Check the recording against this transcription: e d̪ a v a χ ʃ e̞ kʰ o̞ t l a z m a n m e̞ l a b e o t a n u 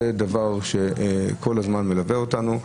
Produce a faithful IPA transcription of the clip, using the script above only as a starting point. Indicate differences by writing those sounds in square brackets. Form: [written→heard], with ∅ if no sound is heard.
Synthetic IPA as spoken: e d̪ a v a [χ→ʁ] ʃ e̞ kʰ o̞ [t→∅] l a z m a n m e̞ l a [b→v] e o t a n u